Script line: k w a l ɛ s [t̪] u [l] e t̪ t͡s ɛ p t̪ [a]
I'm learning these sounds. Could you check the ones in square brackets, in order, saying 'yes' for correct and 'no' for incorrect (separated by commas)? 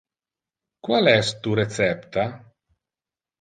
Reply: yes, no, yes